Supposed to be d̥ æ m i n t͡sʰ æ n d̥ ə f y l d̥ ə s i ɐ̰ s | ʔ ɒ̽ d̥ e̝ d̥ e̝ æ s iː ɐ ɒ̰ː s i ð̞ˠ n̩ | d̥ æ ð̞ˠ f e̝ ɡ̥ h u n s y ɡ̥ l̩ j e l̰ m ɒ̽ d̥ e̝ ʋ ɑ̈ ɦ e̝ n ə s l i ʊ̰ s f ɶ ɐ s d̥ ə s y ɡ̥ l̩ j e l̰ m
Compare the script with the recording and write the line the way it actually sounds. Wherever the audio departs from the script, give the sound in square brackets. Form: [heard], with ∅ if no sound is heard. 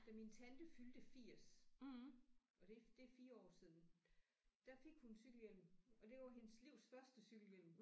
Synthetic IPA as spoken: d̥ æ m i n t͡sʰ æ n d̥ ə f y l d̥ ə [f] i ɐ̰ s | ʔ ɒ̽ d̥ e̝ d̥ e̝ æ [f] iː ɐ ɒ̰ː s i ð̞ˠ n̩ | d̥ æ [∅] f e̝ ɡ̥ h u n s y ɡ̥ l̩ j e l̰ m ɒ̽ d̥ e̝ ʋ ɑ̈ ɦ e̝ n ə s l i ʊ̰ s f ɶ ɐ s d̥ ə s y ɡ̥ l̩ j e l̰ m